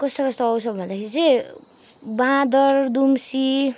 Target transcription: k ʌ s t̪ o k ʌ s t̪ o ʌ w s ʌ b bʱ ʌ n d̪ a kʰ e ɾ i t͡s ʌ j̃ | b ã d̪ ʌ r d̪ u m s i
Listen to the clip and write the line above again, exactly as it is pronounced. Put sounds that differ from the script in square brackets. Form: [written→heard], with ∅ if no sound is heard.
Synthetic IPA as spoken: k ʌ s t̪ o k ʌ s t̪ o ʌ w s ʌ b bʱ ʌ n d̪ a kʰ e ɾ i t͡s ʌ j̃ | b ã d̪ ʌ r d̪ u m s i